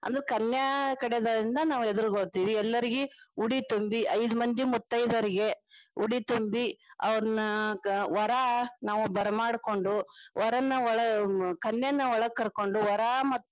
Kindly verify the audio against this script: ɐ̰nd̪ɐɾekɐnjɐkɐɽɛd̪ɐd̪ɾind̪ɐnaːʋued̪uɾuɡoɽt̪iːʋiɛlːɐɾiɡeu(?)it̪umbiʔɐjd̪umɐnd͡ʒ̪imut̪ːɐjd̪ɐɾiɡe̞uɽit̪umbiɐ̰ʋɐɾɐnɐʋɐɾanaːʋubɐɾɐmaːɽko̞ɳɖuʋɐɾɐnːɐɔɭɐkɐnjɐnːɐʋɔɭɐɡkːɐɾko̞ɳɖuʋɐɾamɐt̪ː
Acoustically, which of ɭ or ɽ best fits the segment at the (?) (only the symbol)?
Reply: ɽ